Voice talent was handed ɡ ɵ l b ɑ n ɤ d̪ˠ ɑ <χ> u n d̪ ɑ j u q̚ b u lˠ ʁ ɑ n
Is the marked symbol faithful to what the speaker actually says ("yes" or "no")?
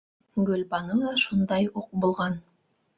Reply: no